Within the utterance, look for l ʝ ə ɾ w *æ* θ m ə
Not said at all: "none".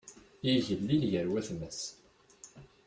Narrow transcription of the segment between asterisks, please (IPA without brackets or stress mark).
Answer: æ